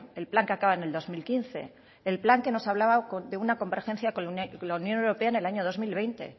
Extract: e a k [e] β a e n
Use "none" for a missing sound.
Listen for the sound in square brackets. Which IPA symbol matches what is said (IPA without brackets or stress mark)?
a